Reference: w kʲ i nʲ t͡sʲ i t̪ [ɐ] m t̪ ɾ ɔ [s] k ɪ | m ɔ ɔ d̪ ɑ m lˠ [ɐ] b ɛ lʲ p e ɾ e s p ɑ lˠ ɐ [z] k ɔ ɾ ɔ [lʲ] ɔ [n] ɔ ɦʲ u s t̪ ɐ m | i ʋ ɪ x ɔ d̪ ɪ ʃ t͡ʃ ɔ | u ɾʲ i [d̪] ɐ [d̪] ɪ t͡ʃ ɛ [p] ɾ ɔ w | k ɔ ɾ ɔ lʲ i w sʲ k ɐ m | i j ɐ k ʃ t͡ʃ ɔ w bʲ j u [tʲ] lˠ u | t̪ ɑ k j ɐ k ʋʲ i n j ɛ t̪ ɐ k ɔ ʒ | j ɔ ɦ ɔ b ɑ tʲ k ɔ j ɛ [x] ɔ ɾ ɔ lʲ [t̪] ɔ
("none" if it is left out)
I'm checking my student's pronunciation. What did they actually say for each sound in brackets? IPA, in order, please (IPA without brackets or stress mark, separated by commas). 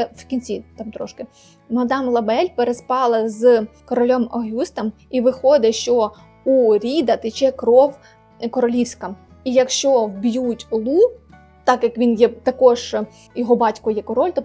ɑ, ʃ, ɐ, z, lʲ, m, d̪, t̪, k, tʲ, k, t̪